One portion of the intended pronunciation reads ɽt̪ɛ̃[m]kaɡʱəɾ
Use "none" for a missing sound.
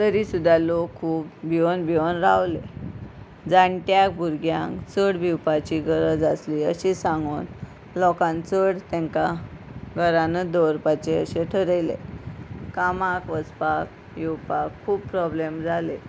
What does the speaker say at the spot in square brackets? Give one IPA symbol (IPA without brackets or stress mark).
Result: ŋ